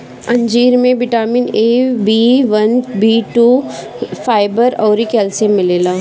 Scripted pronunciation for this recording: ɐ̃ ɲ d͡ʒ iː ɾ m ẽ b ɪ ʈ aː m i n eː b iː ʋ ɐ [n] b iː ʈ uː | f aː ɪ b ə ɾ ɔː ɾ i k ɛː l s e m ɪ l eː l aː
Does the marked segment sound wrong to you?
no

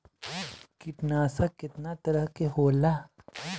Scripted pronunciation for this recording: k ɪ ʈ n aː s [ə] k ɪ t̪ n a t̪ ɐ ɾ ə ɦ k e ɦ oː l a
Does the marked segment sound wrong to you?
yes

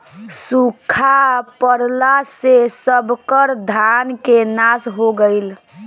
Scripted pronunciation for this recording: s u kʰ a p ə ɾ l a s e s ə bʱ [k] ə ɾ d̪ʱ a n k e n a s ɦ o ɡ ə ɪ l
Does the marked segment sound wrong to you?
no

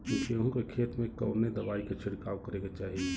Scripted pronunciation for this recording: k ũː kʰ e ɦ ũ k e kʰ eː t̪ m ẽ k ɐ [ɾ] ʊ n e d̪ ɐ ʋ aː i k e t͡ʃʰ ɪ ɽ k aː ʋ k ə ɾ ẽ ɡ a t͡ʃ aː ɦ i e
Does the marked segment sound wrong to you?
yes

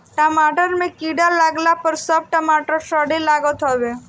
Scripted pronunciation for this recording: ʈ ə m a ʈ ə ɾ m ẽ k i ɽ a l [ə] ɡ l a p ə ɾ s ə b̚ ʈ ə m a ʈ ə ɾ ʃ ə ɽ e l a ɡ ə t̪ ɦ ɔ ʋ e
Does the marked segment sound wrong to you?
yes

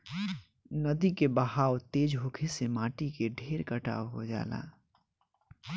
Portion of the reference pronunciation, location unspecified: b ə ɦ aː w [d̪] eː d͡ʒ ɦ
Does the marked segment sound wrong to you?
yes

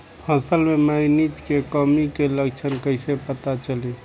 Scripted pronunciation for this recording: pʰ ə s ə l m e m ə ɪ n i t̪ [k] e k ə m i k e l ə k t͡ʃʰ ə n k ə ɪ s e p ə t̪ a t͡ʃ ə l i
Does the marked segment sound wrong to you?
no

